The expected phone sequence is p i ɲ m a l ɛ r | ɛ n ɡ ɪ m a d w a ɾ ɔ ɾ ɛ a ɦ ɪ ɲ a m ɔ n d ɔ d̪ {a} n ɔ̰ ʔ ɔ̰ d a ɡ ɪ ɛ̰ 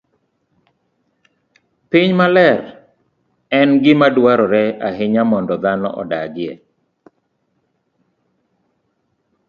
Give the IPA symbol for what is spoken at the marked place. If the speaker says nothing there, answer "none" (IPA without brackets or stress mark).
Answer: a